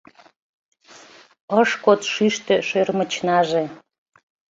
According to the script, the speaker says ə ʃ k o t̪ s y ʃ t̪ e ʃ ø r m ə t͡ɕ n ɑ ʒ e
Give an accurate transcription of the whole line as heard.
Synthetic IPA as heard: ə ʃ k o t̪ ʃ y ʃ t̪ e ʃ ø r m ə t͡ɕ n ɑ ʒ e